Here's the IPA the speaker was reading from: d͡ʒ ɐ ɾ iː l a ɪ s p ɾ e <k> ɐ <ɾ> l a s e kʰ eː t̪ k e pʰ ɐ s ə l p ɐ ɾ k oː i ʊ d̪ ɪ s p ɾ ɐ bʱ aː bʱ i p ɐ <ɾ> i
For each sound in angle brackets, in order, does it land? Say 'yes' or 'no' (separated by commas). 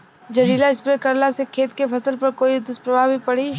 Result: yes, yes, no